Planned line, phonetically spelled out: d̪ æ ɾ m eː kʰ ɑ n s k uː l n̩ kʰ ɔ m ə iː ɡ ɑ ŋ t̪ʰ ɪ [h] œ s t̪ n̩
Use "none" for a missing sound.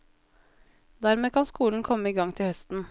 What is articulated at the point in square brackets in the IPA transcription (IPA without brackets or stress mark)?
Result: h